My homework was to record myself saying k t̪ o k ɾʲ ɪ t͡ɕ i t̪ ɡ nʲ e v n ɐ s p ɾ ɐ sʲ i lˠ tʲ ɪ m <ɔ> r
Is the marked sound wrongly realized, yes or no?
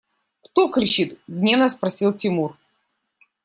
yes